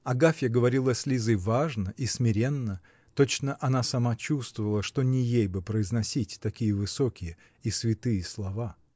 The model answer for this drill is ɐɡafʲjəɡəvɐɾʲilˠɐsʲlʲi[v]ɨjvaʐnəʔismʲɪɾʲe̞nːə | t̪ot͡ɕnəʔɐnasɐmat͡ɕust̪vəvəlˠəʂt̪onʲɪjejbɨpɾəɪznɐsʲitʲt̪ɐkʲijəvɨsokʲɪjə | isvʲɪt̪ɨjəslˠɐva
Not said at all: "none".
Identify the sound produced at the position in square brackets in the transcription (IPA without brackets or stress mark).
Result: z